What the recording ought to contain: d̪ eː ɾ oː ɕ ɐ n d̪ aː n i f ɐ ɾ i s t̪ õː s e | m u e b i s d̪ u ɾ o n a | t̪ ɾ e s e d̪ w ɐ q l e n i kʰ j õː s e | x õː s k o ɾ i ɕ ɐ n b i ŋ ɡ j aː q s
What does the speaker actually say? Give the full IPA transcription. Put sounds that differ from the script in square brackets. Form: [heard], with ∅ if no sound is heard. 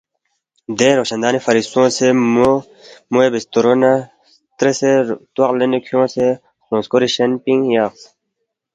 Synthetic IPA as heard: d̪ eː ɾ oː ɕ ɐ n d̪ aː n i f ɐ ɾ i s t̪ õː s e | m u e b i s [t̪] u ɾ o n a | t̪ ɾ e s e [t̪] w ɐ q l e n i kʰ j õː s e | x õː s k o ɾ i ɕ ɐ n [p] i ŋ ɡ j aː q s

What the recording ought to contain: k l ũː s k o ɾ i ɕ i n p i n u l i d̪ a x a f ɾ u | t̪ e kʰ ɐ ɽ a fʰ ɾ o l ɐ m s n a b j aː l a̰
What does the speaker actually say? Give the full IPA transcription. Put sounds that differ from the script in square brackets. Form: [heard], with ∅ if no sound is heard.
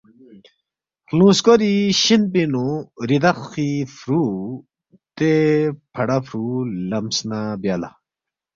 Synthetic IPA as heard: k l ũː s k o ɾ i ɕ i n p i n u [ɾ] i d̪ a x [i] f ɾ u | t̪ e [pʰ] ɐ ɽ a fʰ ɾ [u] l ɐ m s n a b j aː l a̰

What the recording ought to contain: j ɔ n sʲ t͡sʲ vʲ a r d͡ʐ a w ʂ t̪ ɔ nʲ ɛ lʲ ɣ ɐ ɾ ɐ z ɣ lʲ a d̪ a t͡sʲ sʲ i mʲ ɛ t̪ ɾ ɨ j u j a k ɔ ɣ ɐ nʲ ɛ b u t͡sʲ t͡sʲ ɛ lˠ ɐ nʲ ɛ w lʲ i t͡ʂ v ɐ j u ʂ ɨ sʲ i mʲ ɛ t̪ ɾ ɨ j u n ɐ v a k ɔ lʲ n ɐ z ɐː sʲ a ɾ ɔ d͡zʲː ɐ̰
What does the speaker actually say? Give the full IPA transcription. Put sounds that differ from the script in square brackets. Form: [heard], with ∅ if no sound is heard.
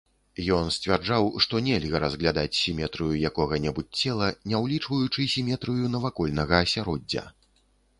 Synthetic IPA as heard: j ɔ n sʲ t͡sʲ vʲ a r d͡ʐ a w ʂ t̪ ɔ nʲ ɛ lʲ ɣ ɐ ɾ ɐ z ɣ lʲ a d̪ a t͡sʲ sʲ i mʲ ɛ t̪ ɾ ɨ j u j a k ɔ ɣ ɐ nʲ ɛ b u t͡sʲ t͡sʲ ɛ lˠ ɐ nʲ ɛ w lʲ i t͡ʂ v ɐ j u [t͡ʂ] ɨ sʲ i mʲ ɛ t̪ ɾ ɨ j u n ɐ v a k ɔ lʲ n ɐ [ɣ] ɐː sʲ a ɾ ɔ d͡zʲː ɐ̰

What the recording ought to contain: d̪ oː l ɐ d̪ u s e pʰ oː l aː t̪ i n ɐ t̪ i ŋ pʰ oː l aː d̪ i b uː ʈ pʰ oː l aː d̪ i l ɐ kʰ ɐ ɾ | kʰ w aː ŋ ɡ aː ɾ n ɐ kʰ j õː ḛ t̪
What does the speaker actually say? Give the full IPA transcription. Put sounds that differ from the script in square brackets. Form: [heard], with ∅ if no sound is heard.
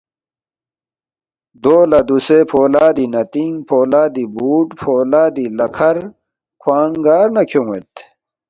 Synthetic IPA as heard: d̪ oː l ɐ d̪ u s e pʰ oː l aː [d̪] i n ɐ t̪ i ŋ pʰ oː l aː d̪ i b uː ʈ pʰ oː l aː d̪ i l ɐ kʰ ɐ ɾ | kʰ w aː ŋ ɡ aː ɾ n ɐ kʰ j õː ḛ t̪

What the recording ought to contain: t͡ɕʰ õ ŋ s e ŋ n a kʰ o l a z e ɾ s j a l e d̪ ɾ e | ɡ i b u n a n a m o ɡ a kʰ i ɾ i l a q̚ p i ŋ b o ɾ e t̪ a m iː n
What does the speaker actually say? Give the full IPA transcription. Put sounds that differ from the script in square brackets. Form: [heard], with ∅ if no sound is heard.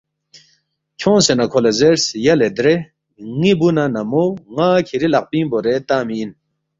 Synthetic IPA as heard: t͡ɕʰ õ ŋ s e [∅] n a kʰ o l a z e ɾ s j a l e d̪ ɾ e | [ŋ] i b u n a n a m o [ŋ] a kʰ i ɾ i l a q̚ p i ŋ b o ɾ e t̪ a m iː n

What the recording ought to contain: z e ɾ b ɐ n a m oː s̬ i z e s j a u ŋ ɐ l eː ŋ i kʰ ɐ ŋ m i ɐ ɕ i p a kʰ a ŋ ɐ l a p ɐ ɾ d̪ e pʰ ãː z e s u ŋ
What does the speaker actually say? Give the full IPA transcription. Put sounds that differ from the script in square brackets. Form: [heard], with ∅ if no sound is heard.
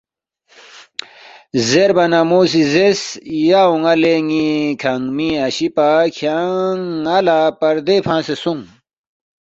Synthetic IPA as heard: z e ɾ b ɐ n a m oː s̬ i z e s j a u ŋ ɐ l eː ŋ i kʰ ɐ ŋ m i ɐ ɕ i p a kʰ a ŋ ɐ l a p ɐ ɾ d̪ e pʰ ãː [s] e s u ŋ

